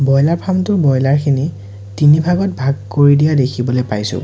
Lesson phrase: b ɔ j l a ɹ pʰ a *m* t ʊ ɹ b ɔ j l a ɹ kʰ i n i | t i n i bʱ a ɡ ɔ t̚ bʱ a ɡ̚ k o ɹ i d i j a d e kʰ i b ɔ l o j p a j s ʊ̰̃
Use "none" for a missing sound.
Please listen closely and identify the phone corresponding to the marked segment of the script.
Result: m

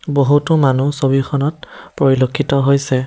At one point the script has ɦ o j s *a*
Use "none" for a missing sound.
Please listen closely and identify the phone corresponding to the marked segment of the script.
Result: ɛ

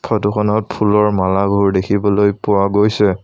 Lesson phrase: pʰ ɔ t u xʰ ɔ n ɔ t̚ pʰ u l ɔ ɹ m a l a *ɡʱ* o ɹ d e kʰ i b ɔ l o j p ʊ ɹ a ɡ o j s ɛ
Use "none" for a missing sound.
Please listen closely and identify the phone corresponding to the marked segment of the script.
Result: ɡʱ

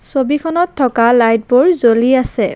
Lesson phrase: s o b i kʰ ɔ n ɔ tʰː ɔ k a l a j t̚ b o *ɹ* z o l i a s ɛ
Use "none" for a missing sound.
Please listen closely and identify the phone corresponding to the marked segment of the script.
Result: ɹ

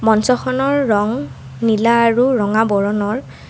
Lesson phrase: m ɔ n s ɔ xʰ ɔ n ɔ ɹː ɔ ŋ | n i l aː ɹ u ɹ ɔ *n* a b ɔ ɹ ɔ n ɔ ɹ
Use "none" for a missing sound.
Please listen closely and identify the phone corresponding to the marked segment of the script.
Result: ŋ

